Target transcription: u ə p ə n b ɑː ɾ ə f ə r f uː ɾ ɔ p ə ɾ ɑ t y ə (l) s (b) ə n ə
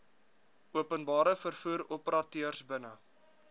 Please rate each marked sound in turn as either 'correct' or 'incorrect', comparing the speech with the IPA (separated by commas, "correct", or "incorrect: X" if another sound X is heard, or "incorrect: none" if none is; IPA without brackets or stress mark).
incorrect: r, correct